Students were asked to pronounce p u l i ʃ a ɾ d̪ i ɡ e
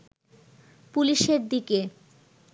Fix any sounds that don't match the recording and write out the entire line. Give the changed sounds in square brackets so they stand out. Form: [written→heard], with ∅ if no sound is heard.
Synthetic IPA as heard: p u l i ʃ [a→e] ɾ d̪ i [ɡ→k] e